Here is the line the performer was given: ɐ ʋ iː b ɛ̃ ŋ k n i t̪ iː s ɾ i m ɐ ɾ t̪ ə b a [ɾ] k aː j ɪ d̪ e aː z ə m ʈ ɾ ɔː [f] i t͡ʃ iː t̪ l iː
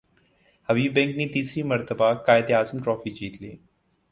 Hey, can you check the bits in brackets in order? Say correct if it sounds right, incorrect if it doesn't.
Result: incorrect: none, correct

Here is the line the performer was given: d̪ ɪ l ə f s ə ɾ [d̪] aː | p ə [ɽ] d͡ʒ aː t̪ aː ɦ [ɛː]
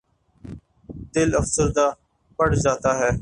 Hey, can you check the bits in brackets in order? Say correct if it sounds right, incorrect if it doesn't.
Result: correct, correct, correct

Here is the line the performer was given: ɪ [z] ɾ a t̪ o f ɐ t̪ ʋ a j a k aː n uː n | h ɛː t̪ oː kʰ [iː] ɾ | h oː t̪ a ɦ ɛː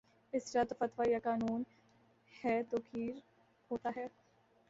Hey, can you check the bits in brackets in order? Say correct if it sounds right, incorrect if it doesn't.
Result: incorrect: s, correct

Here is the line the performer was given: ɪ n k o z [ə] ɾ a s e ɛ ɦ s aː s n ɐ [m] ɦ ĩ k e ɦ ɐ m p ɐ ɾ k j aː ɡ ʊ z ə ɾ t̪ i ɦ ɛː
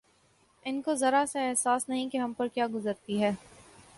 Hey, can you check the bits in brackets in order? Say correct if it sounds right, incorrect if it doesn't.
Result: incorrect: ɐ, incorrect: none

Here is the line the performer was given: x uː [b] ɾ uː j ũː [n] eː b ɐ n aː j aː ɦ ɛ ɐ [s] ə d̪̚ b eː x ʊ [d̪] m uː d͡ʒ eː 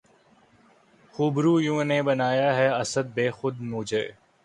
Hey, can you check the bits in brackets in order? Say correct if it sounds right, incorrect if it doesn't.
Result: correct, correct, correct, correct

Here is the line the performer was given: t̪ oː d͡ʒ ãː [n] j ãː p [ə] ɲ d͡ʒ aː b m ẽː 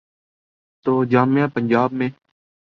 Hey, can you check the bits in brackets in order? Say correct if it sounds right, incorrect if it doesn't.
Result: incorrect: m, correct

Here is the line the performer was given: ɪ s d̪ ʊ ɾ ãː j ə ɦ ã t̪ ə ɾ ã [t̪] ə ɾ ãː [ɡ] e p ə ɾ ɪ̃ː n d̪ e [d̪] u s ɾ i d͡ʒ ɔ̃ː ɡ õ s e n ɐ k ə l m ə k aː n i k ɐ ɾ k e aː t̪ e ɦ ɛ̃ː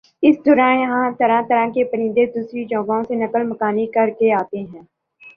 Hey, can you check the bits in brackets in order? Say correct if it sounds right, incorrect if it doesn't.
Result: correct, incorrect: k, correct

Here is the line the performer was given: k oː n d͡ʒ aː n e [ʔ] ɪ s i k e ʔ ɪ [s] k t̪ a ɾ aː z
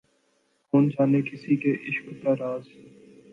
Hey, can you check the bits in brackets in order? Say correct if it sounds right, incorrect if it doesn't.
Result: incorrect: k, incorrect: ʃ

